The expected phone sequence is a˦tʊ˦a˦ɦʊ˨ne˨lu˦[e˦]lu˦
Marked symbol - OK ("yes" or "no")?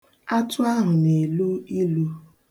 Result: no